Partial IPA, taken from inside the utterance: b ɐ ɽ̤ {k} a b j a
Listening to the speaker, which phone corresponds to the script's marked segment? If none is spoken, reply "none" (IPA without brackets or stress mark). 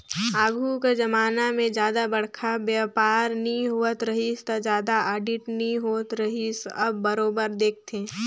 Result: kʰ